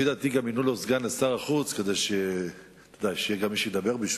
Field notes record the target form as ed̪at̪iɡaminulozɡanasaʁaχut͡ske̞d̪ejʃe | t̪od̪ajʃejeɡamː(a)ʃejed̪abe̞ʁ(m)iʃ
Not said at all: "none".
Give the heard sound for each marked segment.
i, b

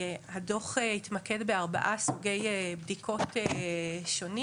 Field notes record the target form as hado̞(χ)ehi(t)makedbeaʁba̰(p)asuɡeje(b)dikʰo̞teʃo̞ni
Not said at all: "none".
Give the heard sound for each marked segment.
χ, t, ʔ, b

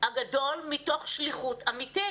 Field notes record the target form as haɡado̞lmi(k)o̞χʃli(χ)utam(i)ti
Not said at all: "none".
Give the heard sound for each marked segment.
t, χ, i

